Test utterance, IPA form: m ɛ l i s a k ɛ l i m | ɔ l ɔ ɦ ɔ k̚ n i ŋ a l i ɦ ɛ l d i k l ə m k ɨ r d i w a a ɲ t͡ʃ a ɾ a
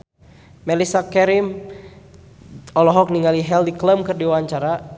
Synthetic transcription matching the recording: m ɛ l i s a k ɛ ɾ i m | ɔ l ɔ ɦ ɔ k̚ n i ŋ a l i ɦ ɛ l d i k l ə m k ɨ r d i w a a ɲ t͡ʃ a ɾ a